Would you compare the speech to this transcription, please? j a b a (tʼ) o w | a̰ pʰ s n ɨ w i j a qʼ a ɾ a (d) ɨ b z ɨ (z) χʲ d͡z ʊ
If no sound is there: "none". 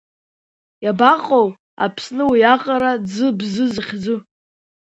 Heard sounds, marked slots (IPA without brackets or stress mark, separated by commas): qʼ, d͡z, z